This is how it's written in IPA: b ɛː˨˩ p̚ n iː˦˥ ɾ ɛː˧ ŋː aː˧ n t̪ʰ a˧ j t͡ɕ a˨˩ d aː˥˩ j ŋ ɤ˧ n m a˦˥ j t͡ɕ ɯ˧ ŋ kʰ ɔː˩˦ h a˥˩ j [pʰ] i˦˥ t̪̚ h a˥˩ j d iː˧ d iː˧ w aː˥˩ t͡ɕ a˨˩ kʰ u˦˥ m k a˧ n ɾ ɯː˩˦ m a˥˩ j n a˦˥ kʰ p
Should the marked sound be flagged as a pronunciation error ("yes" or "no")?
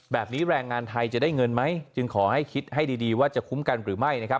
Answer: yes